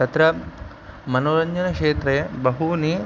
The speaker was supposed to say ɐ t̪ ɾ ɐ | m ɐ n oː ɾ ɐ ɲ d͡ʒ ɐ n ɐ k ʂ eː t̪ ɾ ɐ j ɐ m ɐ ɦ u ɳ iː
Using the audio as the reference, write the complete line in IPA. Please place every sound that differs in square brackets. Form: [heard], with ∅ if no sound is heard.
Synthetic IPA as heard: ɐ t̪ ɾ ɐ | m ɐ n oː ɾ ɐ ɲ d͡ʒ ɐ n ɐ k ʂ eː t̪ ɾ ɐ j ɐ [b] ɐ ɦ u [n] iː